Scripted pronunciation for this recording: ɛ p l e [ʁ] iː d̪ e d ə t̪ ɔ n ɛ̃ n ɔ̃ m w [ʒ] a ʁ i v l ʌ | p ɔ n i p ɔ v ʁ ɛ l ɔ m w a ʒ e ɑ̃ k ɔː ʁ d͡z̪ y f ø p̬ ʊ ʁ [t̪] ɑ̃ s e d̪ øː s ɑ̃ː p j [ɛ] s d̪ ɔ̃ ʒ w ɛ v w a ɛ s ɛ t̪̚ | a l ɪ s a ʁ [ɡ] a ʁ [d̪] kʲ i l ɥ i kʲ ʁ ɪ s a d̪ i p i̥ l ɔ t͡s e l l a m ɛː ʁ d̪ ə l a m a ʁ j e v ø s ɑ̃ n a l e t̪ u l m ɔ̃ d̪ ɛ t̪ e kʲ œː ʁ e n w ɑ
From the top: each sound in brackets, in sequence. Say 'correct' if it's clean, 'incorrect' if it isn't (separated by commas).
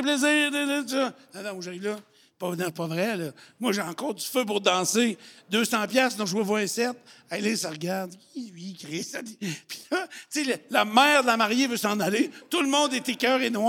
incorrect, correct, incorrect, incorrect, correct, correct